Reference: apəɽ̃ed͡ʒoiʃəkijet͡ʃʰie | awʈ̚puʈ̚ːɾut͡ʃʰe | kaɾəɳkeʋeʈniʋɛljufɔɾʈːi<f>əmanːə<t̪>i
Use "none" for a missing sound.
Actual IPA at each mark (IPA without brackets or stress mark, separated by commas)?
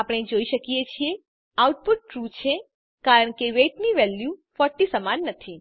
s, t̪ʰ